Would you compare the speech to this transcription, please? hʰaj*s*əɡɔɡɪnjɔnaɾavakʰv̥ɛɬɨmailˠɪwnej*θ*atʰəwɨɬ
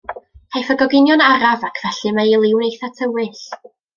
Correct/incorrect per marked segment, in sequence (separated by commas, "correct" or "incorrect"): incorrect, correct